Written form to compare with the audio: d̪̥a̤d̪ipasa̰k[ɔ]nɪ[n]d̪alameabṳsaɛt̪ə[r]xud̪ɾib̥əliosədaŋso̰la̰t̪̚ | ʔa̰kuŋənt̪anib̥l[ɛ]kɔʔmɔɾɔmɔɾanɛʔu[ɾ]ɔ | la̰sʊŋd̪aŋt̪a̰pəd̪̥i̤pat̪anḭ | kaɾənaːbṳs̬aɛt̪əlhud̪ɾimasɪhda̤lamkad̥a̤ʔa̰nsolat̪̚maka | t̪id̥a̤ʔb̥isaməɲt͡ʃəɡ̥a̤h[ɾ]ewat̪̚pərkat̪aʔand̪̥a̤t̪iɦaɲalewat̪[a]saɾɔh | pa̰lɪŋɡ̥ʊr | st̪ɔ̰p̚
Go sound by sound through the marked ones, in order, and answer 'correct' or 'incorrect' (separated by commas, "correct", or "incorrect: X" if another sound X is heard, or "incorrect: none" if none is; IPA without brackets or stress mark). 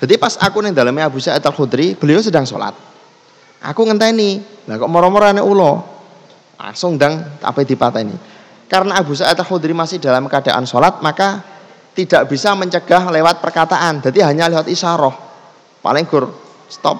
incorrect: u, incorrect: ŋ, incorrect: l, incorrect: a, incorrect: l, incorrect: l, incorrect: i